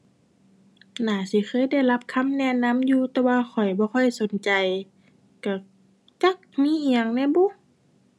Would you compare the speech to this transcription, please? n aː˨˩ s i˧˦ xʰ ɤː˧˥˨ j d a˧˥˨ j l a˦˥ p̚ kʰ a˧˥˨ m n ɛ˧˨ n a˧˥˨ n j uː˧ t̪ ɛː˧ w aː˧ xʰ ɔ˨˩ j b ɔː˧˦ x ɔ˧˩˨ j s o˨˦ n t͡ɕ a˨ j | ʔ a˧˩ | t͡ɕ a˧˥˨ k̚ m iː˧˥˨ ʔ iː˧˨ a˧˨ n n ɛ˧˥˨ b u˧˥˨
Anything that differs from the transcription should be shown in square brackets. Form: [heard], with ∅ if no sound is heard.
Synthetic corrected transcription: n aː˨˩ s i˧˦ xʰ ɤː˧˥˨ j d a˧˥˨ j l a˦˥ p̚ kʰ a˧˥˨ m n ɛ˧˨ n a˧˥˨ [m] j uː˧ t̪ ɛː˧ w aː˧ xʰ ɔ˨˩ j b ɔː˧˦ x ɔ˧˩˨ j s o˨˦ n t͡ɕ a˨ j | [k] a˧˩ | t͡ɕ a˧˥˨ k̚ m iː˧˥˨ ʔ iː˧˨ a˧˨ [ŋ] n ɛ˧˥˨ b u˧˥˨